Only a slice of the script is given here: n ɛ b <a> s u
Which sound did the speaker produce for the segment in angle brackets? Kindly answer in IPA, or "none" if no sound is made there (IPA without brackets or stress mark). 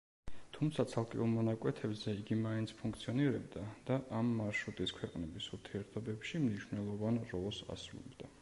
i